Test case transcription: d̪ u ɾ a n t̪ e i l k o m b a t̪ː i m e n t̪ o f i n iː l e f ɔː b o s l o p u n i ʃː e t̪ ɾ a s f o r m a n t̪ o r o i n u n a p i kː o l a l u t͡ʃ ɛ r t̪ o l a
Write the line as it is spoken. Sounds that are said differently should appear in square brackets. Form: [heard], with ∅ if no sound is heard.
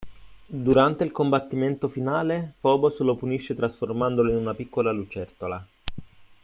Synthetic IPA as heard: d̪ u ɾ a n t̪ e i l k o m b a t̪ː i m e n t̪ o f i n [aː] l e f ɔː b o s l o p u n i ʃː e t̪ ɾ a s f o r m a n [d̪] o [l] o i n u n a p i kː o l a l u t͡ʃ ɛ r t̪ o l a